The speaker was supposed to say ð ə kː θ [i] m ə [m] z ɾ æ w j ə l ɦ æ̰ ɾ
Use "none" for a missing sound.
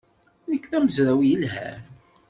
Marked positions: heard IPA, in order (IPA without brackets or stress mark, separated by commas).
æ, none